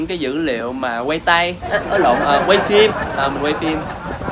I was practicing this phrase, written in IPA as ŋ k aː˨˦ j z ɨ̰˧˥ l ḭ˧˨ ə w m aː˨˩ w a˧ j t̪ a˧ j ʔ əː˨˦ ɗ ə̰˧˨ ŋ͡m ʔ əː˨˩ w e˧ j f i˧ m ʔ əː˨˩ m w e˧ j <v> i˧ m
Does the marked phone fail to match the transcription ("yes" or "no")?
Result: yes